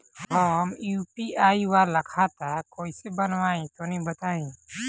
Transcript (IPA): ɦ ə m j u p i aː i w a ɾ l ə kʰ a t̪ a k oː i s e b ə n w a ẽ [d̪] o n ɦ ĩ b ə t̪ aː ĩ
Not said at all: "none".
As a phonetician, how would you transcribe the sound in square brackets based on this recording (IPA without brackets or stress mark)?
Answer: t̪